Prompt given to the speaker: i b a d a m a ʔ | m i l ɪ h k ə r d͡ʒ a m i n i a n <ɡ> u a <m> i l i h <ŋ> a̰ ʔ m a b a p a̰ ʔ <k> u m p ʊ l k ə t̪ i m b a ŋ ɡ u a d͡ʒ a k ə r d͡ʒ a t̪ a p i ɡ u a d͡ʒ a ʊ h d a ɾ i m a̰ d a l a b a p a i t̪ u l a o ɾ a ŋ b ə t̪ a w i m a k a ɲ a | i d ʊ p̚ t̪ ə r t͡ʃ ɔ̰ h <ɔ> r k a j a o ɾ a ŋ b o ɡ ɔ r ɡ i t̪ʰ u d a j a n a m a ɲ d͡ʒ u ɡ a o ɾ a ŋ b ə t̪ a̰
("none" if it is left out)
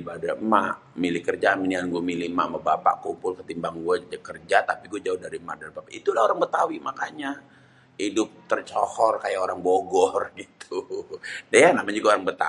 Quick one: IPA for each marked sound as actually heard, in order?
ɡ, m, m, k, ɔ

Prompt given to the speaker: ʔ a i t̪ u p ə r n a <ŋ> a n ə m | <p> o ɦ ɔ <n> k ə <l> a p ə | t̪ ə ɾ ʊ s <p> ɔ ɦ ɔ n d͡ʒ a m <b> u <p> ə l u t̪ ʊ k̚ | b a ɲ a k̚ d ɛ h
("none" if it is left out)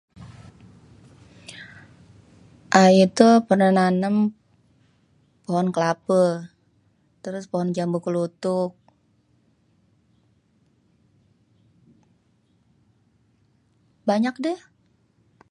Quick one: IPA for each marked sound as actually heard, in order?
n, p, n, l, p, b, k

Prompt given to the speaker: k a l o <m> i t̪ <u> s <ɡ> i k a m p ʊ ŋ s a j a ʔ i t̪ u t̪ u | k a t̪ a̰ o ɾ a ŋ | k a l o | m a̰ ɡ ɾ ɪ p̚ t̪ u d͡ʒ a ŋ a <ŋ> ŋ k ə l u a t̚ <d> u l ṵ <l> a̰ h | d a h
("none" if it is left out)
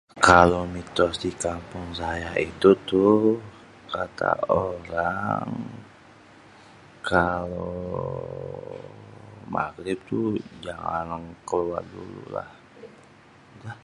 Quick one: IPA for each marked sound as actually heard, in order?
m, ɔ, d, n, d, l

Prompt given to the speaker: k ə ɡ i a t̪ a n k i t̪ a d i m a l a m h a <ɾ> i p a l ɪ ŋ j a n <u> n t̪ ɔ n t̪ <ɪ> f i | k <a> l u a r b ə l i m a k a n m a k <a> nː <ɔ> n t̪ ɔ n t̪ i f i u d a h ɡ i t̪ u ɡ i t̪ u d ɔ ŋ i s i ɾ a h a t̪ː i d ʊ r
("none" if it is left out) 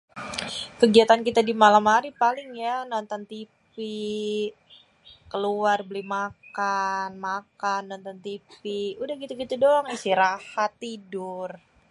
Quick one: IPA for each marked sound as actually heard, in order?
ɾ, ɔ, i, ə, a, ɔ

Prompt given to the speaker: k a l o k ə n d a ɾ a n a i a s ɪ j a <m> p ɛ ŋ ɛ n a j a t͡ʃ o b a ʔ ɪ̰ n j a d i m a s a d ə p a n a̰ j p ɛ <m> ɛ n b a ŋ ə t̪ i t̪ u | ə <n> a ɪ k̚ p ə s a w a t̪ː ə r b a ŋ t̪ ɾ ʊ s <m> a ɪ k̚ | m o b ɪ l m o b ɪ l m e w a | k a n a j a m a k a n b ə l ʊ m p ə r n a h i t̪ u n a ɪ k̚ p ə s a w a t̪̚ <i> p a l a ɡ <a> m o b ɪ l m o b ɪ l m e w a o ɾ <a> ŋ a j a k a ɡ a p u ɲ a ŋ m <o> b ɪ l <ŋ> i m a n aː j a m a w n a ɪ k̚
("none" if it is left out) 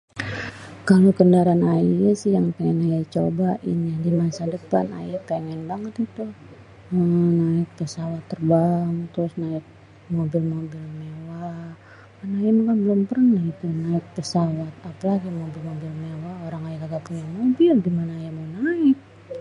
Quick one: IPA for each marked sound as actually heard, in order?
ŋ, ŋ, n, n, a, i, a, o, ɡ

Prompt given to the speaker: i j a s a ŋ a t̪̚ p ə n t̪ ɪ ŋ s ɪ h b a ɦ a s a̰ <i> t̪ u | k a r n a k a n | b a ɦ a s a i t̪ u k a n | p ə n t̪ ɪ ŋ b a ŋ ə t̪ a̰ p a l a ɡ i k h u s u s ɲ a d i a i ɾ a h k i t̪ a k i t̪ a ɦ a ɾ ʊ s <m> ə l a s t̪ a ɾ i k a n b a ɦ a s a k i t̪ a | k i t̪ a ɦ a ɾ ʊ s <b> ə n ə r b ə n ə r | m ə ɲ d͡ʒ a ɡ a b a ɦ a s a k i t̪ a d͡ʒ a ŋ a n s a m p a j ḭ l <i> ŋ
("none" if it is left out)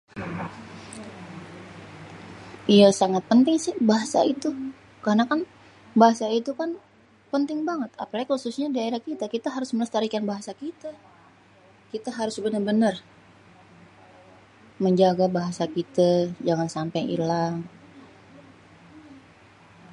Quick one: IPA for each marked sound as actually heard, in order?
i, m, b, a

